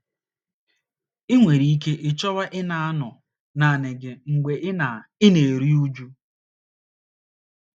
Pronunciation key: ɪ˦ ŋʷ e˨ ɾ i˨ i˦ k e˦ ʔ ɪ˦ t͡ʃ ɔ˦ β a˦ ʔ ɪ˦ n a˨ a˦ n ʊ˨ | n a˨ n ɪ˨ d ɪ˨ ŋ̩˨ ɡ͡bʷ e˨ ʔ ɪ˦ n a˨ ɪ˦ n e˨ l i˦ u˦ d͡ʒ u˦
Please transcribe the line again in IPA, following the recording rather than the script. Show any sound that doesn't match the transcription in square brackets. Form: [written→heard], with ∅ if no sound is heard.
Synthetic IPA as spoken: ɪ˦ ŋʷ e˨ ɾ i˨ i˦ k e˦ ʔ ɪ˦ t͡ʃ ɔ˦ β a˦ ʔ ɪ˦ n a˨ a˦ n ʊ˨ | n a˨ n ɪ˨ [d→ɡ] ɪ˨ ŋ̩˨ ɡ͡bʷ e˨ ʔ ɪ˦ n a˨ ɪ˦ n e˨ [l→ɾ] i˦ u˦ d͡ʒ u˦